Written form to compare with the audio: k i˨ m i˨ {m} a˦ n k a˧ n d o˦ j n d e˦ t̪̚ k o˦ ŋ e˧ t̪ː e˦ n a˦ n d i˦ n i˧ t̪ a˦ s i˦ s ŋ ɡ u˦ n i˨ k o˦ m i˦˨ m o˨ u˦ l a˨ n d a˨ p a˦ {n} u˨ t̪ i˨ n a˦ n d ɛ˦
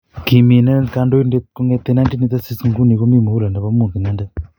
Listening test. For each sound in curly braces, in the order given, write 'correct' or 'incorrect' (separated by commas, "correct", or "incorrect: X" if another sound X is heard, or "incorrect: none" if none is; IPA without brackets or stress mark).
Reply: incorrect: n, incorrect: m